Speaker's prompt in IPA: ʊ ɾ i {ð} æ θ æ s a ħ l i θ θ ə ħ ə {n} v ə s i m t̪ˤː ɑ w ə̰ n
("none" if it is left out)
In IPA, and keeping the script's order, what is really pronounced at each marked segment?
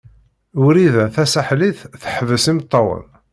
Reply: ð, none

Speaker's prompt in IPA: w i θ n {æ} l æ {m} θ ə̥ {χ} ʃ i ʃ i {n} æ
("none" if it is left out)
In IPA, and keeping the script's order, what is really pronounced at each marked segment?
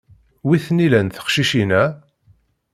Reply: i, n, χ, n

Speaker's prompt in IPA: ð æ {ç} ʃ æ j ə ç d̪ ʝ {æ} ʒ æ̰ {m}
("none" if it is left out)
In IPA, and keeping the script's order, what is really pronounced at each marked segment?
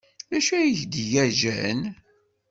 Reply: none, æ, n

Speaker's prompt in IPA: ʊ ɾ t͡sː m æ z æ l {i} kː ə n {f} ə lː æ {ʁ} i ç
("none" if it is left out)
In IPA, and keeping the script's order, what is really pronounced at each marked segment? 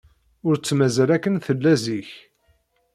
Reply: æ, θ, z

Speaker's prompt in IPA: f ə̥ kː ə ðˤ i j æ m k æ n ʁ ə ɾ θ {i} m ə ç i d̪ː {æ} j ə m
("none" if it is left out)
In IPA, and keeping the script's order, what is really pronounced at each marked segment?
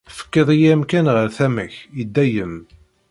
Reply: æ, æ

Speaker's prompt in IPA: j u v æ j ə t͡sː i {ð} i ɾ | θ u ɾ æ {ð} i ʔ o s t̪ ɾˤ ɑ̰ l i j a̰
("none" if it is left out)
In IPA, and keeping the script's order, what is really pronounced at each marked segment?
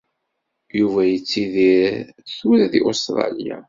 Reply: ð, ð

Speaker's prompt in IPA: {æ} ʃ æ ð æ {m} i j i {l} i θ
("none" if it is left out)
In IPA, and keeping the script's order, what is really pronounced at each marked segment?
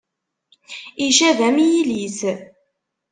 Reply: i, m, l

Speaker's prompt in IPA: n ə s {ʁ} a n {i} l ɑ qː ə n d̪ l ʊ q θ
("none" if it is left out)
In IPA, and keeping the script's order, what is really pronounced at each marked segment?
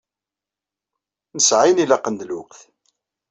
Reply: ʕ, i

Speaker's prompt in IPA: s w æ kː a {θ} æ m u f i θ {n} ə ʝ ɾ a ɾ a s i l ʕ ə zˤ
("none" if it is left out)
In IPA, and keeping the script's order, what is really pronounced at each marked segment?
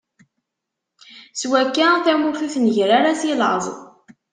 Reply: θ, n

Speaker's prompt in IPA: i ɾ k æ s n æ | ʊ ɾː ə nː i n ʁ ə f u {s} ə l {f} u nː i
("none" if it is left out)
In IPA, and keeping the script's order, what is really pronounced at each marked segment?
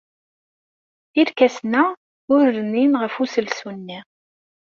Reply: s, s

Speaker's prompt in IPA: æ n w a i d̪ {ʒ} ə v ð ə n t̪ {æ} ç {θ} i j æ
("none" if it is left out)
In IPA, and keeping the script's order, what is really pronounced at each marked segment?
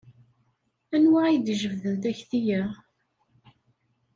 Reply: ʒ, æ, θ

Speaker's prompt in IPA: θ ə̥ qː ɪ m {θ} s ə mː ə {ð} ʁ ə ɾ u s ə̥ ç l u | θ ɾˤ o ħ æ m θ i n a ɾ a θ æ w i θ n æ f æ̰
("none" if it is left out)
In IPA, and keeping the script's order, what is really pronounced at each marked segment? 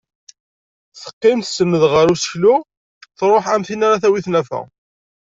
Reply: θ, ð

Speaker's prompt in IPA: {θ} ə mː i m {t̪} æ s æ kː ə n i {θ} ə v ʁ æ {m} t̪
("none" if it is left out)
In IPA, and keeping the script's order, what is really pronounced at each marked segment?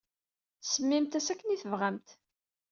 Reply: s, t̪, θ, m

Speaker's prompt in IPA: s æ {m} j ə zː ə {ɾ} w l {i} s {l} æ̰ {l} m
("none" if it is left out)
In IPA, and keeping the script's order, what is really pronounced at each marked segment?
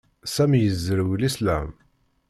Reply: m, ɾ, i, l, none

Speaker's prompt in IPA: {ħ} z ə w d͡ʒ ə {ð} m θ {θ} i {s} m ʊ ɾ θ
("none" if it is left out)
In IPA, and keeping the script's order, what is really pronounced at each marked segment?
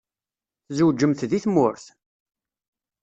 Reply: θ, none, ð, θ

